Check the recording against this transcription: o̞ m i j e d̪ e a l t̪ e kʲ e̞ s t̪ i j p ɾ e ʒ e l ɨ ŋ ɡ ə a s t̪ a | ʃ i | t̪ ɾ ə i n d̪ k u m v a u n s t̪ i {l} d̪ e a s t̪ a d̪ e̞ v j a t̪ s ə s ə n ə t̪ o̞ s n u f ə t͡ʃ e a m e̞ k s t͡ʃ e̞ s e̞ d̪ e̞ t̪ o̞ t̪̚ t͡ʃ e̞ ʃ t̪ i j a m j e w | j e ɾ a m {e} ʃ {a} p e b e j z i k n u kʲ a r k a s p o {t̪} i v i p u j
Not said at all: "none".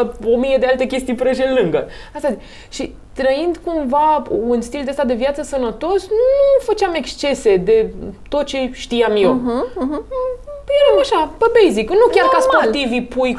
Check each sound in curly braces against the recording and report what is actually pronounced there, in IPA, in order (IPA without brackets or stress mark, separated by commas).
l, a, a, t̪